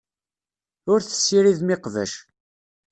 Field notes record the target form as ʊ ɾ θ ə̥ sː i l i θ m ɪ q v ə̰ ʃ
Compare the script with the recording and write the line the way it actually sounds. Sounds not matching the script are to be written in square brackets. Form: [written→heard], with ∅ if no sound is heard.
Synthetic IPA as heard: ʊ ɾ θ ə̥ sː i [l→ɾ] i [θ→ð] m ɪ q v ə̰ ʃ